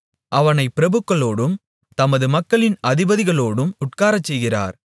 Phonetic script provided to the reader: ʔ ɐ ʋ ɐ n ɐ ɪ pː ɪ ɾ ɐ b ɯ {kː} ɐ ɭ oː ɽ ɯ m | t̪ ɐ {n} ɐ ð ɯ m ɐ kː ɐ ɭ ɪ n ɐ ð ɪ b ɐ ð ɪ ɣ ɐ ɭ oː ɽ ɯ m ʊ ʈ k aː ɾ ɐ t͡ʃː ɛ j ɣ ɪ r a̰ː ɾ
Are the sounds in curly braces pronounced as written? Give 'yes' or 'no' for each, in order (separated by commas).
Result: yes, no